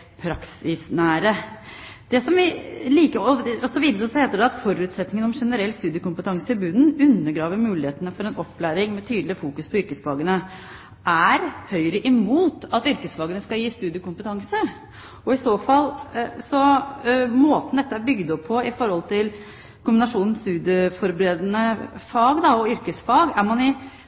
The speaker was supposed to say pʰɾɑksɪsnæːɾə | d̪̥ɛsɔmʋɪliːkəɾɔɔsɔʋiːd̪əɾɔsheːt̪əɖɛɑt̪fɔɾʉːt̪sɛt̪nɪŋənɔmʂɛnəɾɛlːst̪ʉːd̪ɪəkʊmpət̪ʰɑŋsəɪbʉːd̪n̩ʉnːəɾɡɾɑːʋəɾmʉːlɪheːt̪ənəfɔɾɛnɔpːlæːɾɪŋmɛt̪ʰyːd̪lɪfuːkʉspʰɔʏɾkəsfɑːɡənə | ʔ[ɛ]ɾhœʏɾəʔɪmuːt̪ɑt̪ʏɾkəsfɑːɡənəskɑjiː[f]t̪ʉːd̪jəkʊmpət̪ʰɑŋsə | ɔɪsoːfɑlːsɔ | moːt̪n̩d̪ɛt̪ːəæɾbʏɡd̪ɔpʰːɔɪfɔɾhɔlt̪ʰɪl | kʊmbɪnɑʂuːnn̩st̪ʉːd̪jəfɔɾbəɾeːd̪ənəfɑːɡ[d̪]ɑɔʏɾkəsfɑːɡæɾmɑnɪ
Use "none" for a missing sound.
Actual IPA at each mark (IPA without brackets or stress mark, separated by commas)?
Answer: æ, s, d̪